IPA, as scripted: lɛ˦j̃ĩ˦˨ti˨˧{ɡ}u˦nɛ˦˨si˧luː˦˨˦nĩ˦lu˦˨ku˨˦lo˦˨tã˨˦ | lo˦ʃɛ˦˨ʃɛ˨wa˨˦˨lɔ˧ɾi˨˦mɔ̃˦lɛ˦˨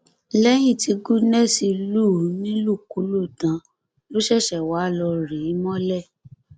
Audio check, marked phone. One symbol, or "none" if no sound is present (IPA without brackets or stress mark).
ɡ